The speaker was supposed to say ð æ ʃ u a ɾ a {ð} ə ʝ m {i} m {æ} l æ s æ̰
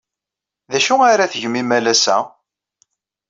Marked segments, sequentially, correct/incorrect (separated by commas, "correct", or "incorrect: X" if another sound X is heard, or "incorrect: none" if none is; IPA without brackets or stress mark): incorrect: θ, correct, correct